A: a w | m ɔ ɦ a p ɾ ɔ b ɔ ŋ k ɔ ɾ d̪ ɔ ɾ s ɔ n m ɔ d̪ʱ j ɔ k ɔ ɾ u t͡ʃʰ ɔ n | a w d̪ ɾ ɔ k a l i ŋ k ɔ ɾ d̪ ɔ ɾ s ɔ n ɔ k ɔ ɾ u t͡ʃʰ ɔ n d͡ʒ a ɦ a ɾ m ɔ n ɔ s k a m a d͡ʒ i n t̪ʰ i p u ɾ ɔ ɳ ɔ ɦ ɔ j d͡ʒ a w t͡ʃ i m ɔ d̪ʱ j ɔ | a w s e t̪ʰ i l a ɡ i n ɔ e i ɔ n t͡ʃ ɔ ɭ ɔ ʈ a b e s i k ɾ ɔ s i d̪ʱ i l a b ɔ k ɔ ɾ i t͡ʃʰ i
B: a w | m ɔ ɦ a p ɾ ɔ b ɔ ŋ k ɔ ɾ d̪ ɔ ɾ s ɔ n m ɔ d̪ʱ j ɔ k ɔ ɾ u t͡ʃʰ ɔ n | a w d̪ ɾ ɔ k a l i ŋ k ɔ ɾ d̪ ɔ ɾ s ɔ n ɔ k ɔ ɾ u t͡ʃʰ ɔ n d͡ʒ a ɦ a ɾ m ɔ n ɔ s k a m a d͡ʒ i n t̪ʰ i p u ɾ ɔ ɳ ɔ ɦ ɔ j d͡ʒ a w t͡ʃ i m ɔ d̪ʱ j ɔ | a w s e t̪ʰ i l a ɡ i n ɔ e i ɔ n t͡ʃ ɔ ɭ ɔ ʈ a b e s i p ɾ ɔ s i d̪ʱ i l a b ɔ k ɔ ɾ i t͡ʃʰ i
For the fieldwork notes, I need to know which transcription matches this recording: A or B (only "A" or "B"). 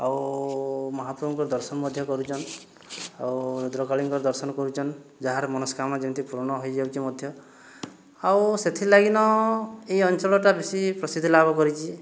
B